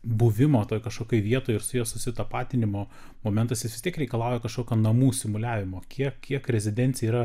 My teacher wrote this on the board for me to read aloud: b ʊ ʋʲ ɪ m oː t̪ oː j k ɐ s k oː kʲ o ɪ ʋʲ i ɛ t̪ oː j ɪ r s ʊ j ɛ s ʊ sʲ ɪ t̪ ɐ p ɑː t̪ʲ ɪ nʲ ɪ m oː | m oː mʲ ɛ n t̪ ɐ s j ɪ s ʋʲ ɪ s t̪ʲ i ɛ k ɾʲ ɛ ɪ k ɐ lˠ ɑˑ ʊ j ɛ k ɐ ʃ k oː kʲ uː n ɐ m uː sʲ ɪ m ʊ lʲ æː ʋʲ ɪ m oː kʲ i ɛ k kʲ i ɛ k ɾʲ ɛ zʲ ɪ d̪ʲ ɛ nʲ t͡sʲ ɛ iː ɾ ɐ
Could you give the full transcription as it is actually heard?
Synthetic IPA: b ʊ ʋʲ ɪ m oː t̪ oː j k ɐ ʃ k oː kʲ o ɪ ʋʲ i ɛ t̪ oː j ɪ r s ʊ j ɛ s ʊ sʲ ɪ t̪ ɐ p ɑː t̪ʲ ɪ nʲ ɪ m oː | m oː mʲ ɛ n t̪ ɐ s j ɪ s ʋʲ ɪ s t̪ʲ i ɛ k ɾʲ ɛ ɪ k ɐ lˠ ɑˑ ʊ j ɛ k ɐ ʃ k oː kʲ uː n ɐ m uː sʲ ɪ m ʊ lʲ æː ʋʲ ɪ m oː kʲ i ɛ k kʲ i ɛ k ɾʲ ɛ zʲ ɪ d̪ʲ ɛ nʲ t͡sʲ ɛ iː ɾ ɐ

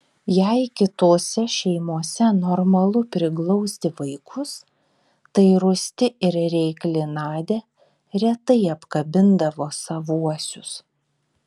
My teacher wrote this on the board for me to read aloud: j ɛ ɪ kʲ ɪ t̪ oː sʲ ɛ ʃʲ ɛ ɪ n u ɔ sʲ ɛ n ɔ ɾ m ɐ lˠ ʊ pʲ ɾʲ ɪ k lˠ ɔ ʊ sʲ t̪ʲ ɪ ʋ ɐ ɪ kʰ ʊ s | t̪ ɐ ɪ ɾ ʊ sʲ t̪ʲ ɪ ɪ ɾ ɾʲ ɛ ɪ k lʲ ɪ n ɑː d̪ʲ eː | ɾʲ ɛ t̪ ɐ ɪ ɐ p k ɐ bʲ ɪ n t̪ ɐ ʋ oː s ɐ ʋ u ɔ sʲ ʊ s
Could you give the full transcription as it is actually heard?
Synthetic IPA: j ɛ ɪ kʲ ɪ t̪ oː sʲ ɛ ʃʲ ɛ ɪ m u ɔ sʲ ɛ n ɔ ɾ m ɐ lˠ ʊ pʲ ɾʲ ɪ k lˠ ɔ ʊ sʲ t̪ʲ ɪ ʋ ɐ ɪ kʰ ʊ s | t̪ ɐ ɪ ɾ ʊ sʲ t̪ʲ ɪ ɪ ɾ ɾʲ ɛ ɪ k lʲ ɪ n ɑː d̪ʲ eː | ɾʲ ɛ t̪ ɐ ɪ ɐ p k ɐ bʲ ɪ n d̪ ɐ ʋ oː s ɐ ʋ u ɔ sʲ ʊ s

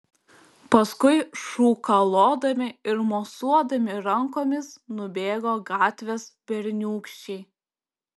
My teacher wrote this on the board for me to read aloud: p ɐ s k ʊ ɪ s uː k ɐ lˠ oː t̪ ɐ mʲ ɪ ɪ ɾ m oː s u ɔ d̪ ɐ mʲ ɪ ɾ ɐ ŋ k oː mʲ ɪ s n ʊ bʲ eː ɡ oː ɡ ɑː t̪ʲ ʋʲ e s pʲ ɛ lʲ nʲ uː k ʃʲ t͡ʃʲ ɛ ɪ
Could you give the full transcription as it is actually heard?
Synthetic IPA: p ɐ s k ʊ ɪ ʃ uː k ɐ lˠ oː d̪ ɐ mʲ ɪ ɪ ɾ m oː s u ɔ d̪ ɐ mʲ ɪ ɾ ɐ ŋ k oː mʲ ɪ s n ʊ bʲ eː ɡ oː ɡ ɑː t̪ʲ ʋʲ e s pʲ ɛ ɾʲ nʲ uː k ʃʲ t͡ʃʲ ɛ ɪ

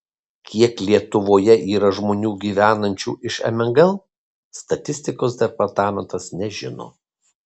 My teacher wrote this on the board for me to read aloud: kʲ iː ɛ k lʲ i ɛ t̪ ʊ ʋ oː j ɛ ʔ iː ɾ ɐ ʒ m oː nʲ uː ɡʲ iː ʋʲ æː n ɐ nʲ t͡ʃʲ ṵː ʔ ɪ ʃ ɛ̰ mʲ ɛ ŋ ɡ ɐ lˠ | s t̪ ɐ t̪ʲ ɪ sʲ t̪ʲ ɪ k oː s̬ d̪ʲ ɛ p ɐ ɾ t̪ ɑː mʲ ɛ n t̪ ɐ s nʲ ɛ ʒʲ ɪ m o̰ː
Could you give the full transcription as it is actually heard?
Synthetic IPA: kʲ i ɛ k lʲ i ɛ t̪ ʊ ʋ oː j ɛ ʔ iː ɾ ɐ ʒ m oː nʲ uː ɡʲ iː ʋʲ æː n ɐ nʲ t͡ʃʲ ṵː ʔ ɪ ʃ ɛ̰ mʲ ɛ ŋ ɡ ɐ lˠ | s t̪ ɐ t̪ʲ ɪ sʲ t̪ʲ ɪ k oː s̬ d̪ʲ ɛ p ɐ ɾ t̪ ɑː mʲ ɛ n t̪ ɐ s nʲ ɛ ʒʲ ɪ n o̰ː

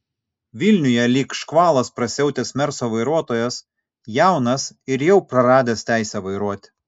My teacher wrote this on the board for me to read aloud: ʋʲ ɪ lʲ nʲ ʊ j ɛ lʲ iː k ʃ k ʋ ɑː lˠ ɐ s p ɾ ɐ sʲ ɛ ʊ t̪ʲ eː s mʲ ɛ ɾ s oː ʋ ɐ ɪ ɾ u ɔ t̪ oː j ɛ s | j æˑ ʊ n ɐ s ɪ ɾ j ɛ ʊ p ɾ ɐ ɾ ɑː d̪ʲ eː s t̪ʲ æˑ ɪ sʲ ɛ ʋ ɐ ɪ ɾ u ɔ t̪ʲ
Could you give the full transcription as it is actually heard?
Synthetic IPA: ʋʲ ɪ lʲ nʲ ʊ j ɛ lʲ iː k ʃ k ʋ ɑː lˠ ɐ s p ɾ ɐ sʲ ɛ ʊ t̪ʲ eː s mʲ ɛ ɾ s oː ʋ ɐ ɪ ɾ u ɔ t̪ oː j ɛ s | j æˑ ʊ n ɐ s ɪ ɾ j ɛ ʊ p ɾ ɐ ɾ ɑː d̪ʲ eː s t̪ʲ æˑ ɪ sʲ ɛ ʋ ɐ ɪ ɾ u ɔ t̪ʲ

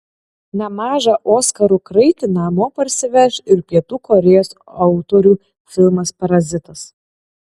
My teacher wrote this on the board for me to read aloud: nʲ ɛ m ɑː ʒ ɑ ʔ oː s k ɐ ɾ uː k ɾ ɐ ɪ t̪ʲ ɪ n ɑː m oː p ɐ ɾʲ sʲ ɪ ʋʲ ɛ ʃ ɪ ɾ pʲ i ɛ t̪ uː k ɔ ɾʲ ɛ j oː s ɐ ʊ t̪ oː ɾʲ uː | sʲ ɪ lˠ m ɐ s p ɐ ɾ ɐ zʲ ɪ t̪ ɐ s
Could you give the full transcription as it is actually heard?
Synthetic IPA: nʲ ɛ m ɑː ʒ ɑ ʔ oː s k ɐ ɾ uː k ɾ ɐ ɪ t̪ʲ ɪ n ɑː m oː p ɐ ɾʲ sʲ ɪ ʋʲ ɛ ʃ ɪ ɾ pʲ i ɛ t̪ uː k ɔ ɾʲ ɛ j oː s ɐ ʊ t̪ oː ɾʲ uː | fʲ ɪ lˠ m ɐ s p ɐ ɾ ɐ zʲ ɪ t̪ ɐ s

